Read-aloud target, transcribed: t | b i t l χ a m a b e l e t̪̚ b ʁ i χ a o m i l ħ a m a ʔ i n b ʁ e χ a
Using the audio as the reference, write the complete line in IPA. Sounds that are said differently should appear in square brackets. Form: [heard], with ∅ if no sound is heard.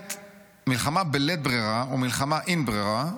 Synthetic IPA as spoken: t | [m] i [∅] l χ a m a b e l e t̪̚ b ʁ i [ʁ] a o m i l [χ] a m a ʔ i n b ʁ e [ʁ] a